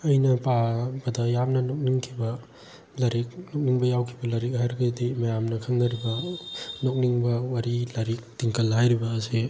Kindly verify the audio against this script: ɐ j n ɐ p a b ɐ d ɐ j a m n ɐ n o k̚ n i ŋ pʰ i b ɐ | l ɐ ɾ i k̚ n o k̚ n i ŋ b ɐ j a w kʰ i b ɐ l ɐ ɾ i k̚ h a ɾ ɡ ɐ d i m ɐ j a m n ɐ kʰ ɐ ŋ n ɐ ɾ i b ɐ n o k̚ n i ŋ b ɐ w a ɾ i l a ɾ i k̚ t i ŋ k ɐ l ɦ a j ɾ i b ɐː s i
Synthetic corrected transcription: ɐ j n ɐ p a b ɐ d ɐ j a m n ɐ n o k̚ n i ŋ kʰ i b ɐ | l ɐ ɾ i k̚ n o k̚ n i ŋ b ɐ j a w kʰ i b ɐ l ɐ ɾ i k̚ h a ɾ ɡ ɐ d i m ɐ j a m n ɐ kʰ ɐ ŋ n ɐ ɾ i b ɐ n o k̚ n i ŋ b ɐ w a ɾ i l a ɾ i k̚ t i ŋ k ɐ l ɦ a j ɾ i b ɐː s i